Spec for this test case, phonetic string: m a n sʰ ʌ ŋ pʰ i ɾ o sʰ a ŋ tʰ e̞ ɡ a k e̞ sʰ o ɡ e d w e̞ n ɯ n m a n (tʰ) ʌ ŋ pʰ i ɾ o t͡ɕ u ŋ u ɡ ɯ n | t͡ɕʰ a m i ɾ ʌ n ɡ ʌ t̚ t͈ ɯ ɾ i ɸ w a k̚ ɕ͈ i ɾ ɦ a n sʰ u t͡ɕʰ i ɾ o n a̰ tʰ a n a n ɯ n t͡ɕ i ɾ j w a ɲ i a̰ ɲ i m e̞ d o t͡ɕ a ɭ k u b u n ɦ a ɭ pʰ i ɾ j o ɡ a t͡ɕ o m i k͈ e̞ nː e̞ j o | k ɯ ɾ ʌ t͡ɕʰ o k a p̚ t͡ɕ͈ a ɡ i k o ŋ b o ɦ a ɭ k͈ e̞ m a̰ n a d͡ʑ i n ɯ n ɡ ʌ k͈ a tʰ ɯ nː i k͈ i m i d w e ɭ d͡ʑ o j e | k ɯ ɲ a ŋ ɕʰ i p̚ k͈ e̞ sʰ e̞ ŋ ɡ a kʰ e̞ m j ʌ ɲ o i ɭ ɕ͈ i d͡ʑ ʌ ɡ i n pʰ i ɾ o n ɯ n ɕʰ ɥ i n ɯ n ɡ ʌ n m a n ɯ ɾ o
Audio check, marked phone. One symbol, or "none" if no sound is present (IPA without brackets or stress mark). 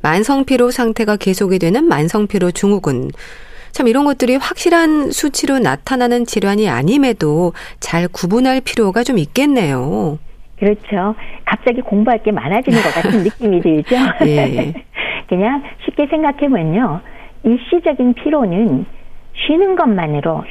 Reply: sʰ